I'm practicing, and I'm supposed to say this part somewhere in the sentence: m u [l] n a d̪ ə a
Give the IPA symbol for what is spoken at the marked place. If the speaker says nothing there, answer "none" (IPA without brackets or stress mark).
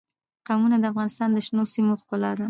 none